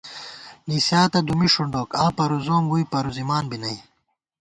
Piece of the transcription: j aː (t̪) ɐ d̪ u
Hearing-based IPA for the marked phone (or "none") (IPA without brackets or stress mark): t̪